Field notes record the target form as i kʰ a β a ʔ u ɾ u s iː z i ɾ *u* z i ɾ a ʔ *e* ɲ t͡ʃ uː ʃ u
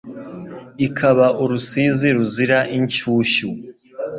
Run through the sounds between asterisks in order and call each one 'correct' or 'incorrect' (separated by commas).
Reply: correct, incorrect